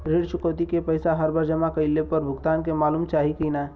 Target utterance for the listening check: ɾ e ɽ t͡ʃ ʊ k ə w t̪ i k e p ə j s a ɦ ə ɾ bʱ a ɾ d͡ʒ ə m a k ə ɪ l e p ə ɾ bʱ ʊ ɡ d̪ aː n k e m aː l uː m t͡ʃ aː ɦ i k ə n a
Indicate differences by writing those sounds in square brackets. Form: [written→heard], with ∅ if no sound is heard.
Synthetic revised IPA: ɾ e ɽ t͡ʃ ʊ k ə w t̪ i k e p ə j s a ɦ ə ɾ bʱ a ɾ d͡ʒ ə m a k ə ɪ l e p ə ɾ bʱ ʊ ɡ [d̪→t̪] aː n k e m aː l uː m t͡ʃ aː ɦ i k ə n a